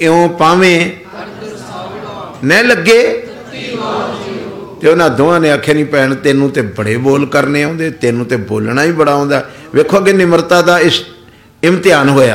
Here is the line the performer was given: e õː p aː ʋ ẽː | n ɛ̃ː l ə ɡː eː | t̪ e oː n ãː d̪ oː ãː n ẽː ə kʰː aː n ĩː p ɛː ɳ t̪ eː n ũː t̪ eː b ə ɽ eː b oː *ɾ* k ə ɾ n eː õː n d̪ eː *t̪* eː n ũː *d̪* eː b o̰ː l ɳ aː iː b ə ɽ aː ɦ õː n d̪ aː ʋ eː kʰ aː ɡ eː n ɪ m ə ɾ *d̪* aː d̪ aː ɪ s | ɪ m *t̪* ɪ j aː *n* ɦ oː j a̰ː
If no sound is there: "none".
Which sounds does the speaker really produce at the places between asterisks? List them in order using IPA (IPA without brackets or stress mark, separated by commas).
l, t̪, t̪, t̪, t̪, n